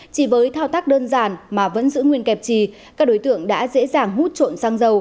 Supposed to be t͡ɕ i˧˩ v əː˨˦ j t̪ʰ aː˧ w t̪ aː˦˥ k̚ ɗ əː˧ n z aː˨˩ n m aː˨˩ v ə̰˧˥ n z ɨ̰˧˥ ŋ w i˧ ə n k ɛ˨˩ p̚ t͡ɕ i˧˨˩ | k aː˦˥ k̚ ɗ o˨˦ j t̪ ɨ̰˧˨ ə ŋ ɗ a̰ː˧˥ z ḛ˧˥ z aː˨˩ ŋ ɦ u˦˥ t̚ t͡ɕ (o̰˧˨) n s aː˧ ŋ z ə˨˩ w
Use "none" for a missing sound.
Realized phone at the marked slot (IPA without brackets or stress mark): o̰˧˨